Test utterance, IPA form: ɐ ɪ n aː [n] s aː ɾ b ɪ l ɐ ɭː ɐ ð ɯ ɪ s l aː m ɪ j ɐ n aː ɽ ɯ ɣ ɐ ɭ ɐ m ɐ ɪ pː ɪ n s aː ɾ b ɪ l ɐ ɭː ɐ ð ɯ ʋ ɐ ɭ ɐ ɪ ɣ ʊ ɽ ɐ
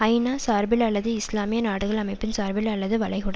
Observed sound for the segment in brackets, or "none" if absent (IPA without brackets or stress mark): none